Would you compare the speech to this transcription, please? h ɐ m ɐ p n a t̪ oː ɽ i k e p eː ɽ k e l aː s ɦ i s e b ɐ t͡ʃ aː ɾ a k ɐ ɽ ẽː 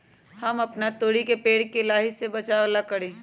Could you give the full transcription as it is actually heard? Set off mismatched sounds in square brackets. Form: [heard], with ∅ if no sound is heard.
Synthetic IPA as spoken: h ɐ m ɐ p n a t̪ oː ɽ i k e p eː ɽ k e l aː [∅] ɦ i s e b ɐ t͡ʃ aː [l] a k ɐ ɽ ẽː